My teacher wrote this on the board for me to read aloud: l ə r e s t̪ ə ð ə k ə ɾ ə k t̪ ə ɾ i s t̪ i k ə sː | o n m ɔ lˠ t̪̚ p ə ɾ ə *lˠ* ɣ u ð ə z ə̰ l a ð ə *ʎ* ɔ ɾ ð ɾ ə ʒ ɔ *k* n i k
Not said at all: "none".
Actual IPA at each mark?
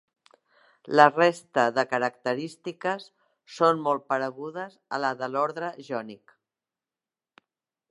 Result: none, l, none

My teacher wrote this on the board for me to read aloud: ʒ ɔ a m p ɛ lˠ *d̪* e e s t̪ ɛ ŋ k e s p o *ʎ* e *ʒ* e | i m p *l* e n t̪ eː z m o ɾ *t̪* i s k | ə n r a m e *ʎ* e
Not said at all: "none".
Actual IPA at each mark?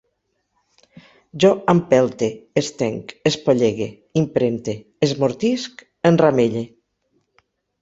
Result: t̪, ʎ, ɣ, ɾ, t̪, ʎ

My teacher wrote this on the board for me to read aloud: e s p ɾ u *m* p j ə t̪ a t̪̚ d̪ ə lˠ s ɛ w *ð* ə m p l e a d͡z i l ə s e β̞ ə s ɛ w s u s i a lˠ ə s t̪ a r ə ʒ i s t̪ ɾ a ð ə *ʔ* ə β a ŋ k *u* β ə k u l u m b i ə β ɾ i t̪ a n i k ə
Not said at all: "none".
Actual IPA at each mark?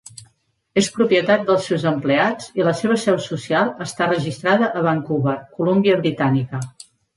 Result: none, z, ʔ, u

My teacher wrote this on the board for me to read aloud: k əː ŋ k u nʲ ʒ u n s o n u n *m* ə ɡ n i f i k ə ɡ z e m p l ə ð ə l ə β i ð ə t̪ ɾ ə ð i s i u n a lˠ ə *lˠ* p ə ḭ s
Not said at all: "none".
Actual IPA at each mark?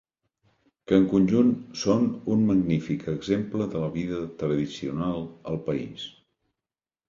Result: m, lˠ

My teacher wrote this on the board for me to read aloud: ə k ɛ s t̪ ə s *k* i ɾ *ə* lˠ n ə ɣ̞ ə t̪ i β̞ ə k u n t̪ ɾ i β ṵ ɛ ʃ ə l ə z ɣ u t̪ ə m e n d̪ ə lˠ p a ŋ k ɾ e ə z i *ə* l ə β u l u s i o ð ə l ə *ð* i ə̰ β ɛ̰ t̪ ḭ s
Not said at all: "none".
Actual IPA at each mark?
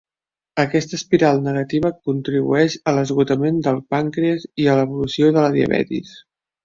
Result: p, a, ə, ð

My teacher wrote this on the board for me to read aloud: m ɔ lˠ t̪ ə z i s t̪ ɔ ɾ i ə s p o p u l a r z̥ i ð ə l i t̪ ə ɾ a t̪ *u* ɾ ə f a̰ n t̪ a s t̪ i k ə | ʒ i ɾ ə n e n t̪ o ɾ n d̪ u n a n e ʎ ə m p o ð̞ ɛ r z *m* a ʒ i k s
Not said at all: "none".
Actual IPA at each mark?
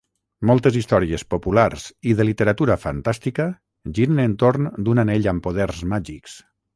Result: u, m

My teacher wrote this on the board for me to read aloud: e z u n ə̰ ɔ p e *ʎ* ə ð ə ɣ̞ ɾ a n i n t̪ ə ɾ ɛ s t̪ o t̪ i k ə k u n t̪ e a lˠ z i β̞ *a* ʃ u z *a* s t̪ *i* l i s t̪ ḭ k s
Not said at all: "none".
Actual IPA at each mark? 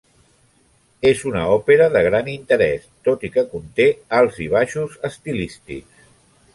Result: ɾ, a, ə, i

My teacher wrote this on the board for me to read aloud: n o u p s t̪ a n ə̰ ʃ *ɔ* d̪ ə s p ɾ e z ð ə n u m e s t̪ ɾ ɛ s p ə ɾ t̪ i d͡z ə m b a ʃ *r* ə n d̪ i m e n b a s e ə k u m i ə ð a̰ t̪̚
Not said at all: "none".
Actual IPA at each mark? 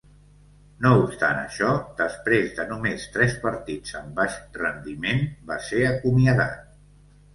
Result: ɔ, r

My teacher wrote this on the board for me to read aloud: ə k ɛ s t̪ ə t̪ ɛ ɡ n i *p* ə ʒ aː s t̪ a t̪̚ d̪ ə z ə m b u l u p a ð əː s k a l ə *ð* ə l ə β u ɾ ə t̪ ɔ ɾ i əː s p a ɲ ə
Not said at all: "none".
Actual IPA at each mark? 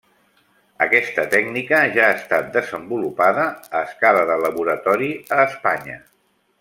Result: k, ð

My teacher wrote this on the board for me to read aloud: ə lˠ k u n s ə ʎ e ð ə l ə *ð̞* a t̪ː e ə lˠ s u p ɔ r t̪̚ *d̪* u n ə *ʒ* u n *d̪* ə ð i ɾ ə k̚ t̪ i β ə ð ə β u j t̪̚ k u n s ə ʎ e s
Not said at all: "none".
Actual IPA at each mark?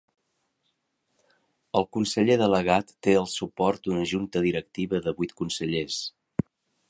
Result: ɣ̞, d̪, ʒ, t̪

